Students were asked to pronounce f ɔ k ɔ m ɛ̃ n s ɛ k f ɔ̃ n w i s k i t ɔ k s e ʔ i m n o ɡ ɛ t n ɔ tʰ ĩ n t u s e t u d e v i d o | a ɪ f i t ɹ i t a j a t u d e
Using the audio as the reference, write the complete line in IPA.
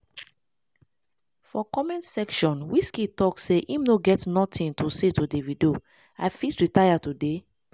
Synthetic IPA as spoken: f ɔ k ɔ m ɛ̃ n s ɛ k ʃ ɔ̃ n w i s k i t ɔ k s e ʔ i m n o ɡ ɛ t n ɔ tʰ ĩ n t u s e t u d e v i d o | a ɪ f i t ɹ i t a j a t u d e